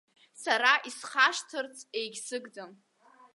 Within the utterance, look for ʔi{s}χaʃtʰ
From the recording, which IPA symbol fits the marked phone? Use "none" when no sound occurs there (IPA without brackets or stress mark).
s